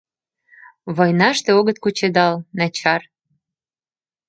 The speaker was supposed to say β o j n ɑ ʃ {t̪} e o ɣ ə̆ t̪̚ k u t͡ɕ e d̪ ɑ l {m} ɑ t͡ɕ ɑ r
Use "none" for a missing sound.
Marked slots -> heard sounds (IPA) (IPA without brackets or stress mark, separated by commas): t̪, n